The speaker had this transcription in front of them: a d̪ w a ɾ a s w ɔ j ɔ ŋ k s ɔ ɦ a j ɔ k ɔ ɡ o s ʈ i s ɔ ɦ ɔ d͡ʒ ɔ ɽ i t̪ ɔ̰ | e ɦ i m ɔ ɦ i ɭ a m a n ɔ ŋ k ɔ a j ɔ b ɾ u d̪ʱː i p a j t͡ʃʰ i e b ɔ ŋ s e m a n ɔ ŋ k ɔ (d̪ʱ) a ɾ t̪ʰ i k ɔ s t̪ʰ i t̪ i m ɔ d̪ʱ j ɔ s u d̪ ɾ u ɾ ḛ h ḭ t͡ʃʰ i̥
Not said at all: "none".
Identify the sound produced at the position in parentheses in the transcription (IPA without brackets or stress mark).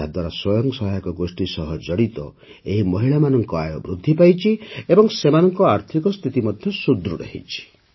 none